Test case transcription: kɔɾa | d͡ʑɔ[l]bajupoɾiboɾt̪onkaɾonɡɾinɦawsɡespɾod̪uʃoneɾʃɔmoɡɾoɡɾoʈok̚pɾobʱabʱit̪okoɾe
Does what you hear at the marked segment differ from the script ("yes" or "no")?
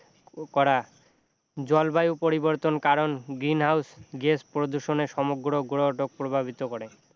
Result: no